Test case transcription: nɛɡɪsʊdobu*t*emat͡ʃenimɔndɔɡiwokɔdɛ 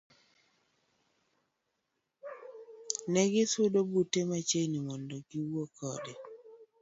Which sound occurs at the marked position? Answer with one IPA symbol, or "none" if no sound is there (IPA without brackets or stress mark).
t